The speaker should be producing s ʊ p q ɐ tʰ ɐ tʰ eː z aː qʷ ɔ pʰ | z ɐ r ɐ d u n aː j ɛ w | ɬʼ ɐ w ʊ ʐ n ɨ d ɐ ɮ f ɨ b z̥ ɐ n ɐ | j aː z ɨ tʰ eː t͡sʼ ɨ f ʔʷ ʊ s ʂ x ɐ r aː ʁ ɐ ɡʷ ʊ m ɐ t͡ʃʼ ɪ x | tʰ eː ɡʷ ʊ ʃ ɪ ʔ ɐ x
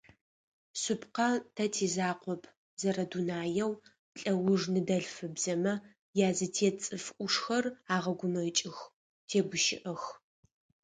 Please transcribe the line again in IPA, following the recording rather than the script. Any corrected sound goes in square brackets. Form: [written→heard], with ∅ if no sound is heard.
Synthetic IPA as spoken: s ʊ p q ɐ tʰ ɐ tʰ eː z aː qʷ ɔ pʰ | z ɐ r ɐ d u n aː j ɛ w | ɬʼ ɐ w ʊ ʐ n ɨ d ɐ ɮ f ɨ b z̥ ɐ [n→m] ɐ | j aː z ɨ tʰ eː t͡sʼ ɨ f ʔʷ ʊ [s→∅] ʂ x ɐ r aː ʁ ɐ ɡʷ ʊ m ɐ t͡ʃʼ ɪ x | tʰ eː ɡʷ ʊ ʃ ɪ ʔ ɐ x